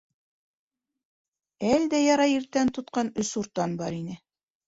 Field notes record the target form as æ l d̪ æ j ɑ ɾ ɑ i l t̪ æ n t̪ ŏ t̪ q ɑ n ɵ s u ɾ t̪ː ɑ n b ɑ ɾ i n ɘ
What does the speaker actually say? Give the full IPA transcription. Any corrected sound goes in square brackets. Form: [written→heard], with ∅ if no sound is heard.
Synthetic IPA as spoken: æ l d̪ æ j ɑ ɾ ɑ i [l→ɾ] t̪ æ n t̪ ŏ t̪ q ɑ n ɵ s u ɾ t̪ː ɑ n b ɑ ɾ i n ɘ